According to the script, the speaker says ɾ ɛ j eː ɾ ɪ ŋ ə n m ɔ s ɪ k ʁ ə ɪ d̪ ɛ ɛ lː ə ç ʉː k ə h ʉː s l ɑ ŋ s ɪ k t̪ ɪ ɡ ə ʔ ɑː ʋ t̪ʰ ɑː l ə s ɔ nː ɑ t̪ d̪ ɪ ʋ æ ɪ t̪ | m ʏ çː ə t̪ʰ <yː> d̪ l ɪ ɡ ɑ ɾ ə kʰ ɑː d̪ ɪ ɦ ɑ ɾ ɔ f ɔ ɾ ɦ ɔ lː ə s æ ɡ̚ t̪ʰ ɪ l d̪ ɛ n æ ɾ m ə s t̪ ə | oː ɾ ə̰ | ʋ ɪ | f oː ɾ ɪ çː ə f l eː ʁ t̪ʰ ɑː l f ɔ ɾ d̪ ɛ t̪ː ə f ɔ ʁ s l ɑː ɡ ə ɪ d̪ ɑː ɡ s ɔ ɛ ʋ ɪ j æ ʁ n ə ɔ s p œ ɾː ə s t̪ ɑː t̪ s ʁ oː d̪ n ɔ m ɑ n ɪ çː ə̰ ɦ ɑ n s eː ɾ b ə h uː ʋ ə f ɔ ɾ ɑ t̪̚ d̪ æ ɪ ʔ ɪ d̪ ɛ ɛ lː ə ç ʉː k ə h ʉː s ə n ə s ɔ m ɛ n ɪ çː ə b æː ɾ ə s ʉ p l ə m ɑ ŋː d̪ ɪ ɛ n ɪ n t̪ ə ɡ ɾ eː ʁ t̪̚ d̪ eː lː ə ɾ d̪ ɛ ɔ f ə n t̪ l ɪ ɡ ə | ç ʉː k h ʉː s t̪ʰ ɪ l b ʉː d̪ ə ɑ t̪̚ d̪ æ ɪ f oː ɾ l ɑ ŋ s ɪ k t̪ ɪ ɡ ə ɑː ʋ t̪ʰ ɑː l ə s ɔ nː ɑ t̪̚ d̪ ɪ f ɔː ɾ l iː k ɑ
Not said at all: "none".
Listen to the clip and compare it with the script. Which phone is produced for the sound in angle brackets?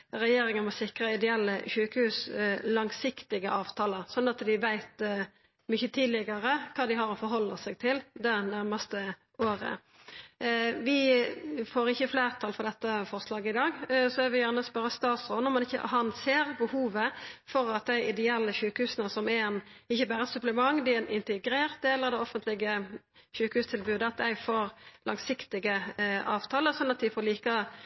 iː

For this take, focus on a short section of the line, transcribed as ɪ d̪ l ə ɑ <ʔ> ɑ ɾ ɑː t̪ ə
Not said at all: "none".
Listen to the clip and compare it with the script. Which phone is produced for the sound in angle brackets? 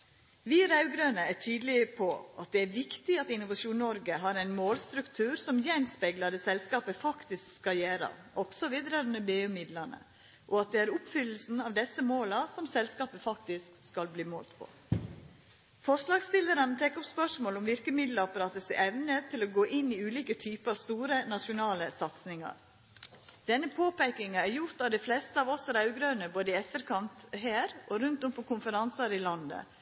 p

